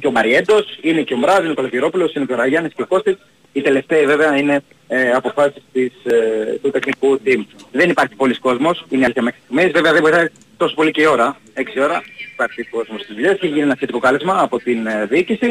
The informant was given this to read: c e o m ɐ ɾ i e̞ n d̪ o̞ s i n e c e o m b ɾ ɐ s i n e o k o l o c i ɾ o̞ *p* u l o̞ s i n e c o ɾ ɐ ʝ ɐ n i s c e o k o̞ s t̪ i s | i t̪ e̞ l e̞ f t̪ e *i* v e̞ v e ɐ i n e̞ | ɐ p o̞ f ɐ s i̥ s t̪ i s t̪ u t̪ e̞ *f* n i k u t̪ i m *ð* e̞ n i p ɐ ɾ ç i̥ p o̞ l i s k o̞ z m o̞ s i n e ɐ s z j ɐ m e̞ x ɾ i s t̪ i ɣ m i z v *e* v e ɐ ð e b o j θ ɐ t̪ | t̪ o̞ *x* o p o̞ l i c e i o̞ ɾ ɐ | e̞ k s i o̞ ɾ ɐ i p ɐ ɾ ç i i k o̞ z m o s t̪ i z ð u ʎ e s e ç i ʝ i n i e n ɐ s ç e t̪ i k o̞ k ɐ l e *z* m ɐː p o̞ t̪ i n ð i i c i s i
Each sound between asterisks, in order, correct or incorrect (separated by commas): correct, correct, incorrect, correct, correct, incorrect, correct